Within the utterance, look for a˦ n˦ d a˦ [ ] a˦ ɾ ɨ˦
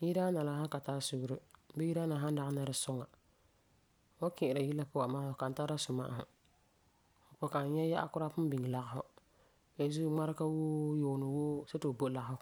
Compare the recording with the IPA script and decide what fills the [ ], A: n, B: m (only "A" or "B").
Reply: A